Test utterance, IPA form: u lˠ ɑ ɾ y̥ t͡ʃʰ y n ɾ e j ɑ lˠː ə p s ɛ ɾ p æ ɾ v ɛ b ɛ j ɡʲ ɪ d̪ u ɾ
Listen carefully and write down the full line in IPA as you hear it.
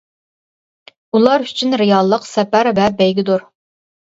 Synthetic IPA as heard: u lˠ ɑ ɾ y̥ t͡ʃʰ y n ɾ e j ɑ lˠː ə q s ɛ p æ ɾ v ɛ b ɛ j ɡʲ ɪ d̪ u ɾ